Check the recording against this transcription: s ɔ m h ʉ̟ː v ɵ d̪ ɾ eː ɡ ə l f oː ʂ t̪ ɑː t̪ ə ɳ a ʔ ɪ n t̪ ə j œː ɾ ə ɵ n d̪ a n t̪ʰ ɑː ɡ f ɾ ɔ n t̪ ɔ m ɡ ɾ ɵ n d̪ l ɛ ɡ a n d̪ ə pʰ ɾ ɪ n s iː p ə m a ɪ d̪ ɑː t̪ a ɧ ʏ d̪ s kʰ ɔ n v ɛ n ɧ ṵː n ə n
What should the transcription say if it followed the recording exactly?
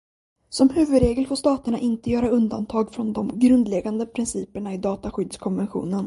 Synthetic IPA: s ɔ m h ʉ̟ː v ɵ d̪ ɾ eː ɡ ə l f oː ʂ t̪ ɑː t̪ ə ɳ a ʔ ɪ n t̪ ə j œː ɾ a ɵ n d̪ a n t̪ʰ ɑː ɡ f ɾ ɔ n d̪ ɔ m ɡ ɾ ɵ n d̪ l ɛ ɡ a n d̪ ə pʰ ɾ ɪ n s iː p ə ɳ a ɪ d̪ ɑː t̪ a ɧ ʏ d̪ s kʰ ɔ n v ɛ n ɧ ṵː n ə n